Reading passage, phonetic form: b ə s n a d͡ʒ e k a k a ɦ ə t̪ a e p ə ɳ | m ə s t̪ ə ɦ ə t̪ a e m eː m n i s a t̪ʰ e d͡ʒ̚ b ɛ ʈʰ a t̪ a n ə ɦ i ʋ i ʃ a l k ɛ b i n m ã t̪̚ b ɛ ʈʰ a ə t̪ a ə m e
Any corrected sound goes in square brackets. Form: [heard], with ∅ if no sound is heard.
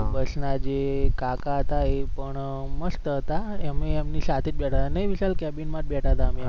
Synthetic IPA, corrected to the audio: b ə s n a d͡ʒ e k a k a ɦ ə t̪ a e p ə ɳ | m ə s t̪ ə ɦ ə t̪ a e m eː m n i s a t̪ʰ e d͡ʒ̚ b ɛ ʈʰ a t̪ a n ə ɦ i ʋ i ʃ a l k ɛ b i n m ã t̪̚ b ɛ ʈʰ a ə t̪ a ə m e